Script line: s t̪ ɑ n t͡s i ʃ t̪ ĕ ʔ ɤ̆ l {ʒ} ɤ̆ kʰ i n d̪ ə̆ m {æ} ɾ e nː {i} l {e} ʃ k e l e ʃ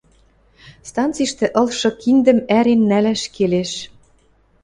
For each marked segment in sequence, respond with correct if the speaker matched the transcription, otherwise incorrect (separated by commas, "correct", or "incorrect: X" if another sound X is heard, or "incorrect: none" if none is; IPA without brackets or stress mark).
incorrect: ʃ, correct, incorrect: æ, incorrect: æ